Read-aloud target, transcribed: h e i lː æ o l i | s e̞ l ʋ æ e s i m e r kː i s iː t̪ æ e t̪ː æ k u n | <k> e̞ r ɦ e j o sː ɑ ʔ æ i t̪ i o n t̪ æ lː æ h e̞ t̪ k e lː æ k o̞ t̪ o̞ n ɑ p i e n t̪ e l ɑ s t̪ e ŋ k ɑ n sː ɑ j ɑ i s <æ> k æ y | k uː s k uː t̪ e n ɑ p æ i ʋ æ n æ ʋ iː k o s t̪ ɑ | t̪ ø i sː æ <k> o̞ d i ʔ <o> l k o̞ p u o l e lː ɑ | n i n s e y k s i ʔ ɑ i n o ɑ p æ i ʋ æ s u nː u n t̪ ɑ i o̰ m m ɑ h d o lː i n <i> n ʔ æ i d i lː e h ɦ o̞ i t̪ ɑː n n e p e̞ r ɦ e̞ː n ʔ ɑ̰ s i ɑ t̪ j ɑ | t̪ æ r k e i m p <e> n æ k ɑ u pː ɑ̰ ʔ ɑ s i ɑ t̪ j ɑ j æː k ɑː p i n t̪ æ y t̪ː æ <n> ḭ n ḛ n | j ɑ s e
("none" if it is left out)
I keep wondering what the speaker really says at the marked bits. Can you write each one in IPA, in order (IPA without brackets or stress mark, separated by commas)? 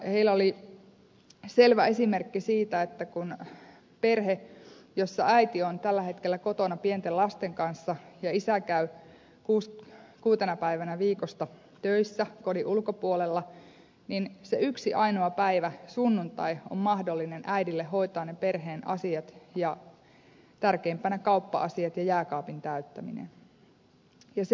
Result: p, æ, k, u, e, æ, m